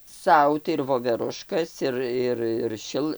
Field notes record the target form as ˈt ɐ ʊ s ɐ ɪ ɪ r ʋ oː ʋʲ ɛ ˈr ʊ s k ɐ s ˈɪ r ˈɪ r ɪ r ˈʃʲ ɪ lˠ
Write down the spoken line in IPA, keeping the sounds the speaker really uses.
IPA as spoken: ˈs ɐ ʊ t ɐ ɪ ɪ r ʋ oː ʋʲ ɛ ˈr ʊ ʃ k ɐ s ˈɪ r ˈɪ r ɪ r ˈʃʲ ɪ lˠ